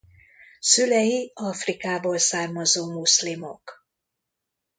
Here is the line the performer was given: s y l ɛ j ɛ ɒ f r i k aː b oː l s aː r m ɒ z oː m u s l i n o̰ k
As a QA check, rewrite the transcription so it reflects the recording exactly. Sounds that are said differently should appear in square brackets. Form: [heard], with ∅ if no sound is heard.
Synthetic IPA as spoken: s y l ɛ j [i] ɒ f r i k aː b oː l s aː r m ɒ z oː m u s l i [m] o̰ k